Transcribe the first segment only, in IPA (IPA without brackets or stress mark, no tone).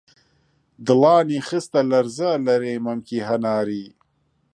d̪